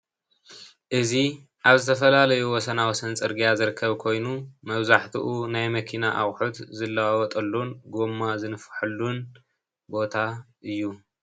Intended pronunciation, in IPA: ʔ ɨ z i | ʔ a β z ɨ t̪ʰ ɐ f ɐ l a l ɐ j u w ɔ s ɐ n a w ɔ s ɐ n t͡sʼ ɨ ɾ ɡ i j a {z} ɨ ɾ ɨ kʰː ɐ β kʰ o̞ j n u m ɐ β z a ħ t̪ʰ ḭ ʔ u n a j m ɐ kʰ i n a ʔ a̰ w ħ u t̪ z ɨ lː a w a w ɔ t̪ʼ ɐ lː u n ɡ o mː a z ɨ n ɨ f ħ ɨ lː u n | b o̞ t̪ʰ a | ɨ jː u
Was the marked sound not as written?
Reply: no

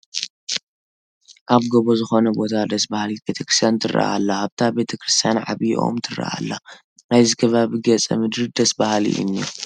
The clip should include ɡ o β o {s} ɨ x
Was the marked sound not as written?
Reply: yes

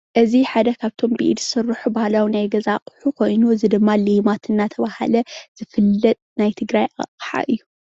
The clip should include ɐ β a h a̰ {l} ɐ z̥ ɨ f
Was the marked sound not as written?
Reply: no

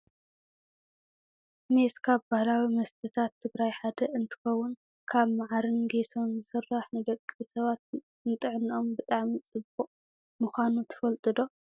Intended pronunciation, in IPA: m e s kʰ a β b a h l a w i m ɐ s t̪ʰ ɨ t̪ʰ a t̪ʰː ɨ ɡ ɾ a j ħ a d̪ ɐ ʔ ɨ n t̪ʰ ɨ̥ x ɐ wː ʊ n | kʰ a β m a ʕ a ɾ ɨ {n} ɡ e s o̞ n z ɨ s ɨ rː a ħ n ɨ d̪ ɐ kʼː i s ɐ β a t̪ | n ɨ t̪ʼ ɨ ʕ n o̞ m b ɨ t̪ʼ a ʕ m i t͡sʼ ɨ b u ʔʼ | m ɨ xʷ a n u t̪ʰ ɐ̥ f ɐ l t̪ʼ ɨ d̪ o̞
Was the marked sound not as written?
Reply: no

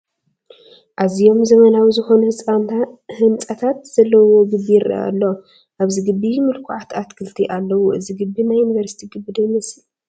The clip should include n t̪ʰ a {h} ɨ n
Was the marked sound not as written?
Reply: no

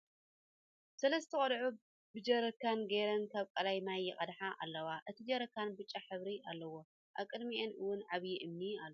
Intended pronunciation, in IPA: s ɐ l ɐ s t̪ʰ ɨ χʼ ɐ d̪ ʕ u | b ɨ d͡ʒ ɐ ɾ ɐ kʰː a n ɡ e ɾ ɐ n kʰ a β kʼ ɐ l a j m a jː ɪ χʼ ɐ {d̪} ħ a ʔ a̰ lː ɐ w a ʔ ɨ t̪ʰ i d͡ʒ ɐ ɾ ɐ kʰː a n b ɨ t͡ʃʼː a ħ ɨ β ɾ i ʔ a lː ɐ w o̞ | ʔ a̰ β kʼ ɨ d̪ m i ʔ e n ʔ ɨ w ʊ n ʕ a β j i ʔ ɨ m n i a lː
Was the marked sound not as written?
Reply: no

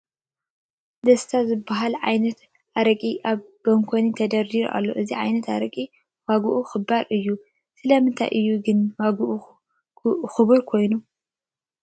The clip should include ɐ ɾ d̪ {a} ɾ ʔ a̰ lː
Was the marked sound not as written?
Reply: yes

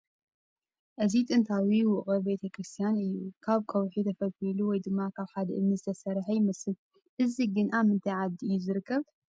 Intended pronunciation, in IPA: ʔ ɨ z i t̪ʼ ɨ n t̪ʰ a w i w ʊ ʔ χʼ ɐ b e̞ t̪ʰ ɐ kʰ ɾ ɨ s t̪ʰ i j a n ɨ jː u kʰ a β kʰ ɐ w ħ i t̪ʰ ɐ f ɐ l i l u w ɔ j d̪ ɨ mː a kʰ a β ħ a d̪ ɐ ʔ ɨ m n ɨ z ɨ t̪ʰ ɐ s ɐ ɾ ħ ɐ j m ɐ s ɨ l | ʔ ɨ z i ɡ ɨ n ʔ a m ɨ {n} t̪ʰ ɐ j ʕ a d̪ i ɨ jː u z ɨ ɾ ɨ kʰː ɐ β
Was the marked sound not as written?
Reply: no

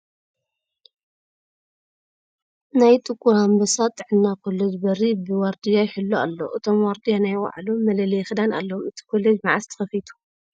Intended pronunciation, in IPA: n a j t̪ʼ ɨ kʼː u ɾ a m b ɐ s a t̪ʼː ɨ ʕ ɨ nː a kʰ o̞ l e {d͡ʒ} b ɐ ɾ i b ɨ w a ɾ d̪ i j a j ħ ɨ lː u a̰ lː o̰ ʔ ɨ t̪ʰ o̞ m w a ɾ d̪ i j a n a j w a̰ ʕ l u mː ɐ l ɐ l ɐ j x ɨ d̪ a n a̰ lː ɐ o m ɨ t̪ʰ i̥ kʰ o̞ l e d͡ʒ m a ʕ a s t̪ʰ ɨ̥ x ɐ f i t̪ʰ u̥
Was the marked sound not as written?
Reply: no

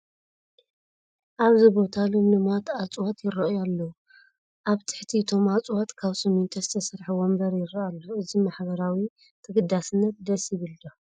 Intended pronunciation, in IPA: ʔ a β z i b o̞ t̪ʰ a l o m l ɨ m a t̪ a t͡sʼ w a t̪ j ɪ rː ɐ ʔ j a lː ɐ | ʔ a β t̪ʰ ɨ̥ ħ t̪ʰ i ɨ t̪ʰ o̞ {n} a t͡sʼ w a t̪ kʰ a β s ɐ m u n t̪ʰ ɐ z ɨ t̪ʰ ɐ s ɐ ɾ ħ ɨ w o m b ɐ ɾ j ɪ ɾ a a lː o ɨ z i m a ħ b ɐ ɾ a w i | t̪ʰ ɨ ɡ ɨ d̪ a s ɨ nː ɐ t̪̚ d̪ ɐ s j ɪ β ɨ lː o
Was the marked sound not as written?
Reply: yes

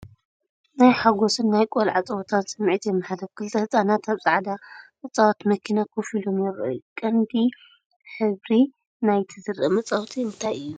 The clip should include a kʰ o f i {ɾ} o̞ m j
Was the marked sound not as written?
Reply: yes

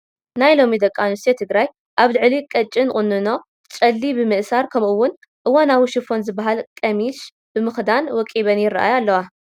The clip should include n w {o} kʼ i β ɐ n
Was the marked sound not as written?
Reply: yes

